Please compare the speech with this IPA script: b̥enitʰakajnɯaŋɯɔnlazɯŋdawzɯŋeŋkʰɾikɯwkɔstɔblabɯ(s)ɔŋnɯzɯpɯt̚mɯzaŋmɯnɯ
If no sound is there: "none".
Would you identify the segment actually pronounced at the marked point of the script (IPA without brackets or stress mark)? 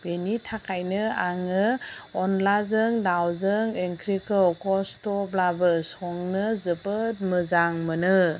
s